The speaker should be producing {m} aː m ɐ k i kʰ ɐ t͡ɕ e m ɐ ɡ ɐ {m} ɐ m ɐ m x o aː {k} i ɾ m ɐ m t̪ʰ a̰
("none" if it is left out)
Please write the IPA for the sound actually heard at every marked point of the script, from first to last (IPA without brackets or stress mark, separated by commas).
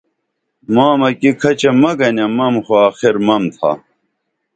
m, n, x